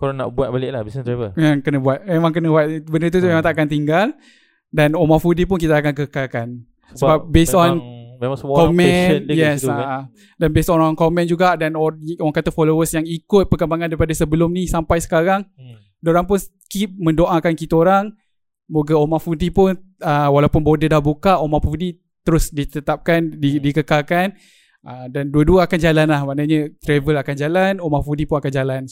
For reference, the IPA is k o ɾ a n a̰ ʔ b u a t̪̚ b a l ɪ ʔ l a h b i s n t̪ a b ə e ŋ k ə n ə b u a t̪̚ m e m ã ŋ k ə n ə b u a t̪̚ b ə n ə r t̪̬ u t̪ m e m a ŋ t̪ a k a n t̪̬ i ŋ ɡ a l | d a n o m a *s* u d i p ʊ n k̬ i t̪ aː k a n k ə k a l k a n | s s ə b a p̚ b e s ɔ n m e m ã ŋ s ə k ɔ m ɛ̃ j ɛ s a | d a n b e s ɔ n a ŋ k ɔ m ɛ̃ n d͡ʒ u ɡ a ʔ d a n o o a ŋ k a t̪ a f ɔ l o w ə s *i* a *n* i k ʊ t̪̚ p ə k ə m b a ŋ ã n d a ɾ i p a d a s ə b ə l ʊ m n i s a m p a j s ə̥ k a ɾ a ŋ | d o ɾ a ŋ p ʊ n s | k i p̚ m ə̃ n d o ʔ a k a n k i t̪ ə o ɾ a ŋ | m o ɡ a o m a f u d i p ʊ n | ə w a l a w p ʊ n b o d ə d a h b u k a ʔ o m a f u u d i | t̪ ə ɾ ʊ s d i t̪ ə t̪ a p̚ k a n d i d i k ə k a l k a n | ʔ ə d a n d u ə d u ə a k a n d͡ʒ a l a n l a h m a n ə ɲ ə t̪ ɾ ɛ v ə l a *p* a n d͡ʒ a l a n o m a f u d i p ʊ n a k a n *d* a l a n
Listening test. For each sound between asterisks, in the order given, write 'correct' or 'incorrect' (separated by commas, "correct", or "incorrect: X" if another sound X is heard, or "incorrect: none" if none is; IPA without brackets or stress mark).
incorrect: f, incorrect: j, incorrect: ŋ, incorrect: k, incorrect: d͡ʒ